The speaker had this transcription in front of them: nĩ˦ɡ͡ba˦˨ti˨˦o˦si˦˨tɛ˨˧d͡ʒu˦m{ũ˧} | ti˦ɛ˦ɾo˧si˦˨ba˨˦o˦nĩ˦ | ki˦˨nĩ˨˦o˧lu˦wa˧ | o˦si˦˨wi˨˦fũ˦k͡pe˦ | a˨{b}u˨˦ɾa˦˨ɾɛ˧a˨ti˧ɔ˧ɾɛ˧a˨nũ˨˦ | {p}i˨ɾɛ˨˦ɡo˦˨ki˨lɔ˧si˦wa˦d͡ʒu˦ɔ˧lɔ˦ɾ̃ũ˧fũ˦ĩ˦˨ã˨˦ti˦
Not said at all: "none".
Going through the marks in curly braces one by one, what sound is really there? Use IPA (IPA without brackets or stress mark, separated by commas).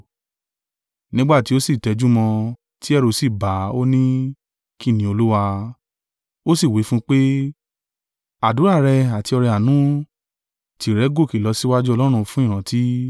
ɔ̃˧, d, t